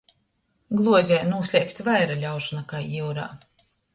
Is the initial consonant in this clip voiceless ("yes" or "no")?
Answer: no